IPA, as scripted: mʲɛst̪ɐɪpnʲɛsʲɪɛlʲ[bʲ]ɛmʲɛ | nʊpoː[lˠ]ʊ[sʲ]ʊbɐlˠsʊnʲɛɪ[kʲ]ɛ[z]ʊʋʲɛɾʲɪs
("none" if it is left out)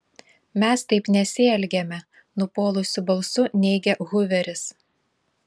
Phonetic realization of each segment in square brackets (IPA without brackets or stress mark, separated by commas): ɡʲ, lˠ, sʲ, ɡʲ, ɣ